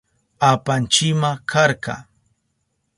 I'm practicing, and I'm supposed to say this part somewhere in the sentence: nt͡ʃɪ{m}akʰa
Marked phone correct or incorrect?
correct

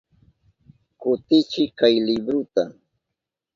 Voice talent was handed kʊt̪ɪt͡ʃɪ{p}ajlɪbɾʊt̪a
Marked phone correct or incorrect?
incorrect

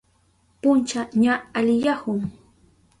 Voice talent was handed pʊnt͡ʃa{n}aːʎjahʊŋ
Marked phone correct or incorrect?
incorrect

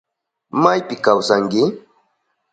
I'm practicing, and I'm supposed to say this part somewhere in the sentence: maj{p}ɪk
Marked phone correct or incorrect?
correct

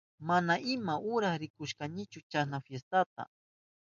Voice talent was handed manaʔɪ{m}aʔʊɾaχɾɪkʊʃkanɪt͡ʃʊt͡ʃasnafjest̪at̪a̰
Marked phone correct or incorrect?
correct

